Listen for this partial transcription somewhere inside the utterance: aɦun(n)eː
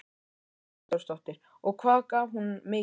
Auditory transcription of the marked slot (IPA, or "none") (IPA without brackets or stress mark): m